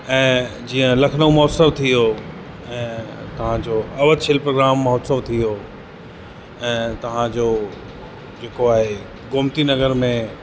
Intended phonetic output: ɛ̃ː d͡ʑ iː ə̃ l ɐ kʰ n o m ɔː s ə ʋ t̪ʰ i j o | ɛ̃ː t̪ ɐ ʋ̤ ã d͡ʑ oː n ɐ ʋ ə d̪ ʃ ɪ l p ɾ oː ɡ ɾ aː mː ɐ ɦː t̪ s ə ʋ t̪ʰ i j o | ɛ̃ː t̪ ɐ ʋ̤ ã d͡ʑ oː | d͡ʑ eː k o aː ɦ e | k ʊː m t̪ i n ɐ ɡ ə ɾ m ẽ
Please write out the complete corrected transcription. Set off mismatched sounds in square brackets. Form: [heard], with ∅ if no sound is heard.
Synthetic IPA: ɛ̃ː d͡ʑ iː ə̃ l ɐ kʰ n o m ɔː s ə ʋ t̪ʰ i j o | ɛ̃ː t̪ ɐ ʋ̤ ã d͡ʑ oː [∅] ɐ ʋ ə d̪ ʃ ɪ l p ɾ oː ɡ ɾ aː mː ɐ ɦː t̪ s ə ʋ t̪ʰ i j o | ɛ̃ː t̪ ɐ ʋ̤ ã d͡ʑ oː | d͡ʑ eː k o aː ɦ e | [ɡ] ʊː m t̪ i n ɐ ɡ ə ɾ m ẽ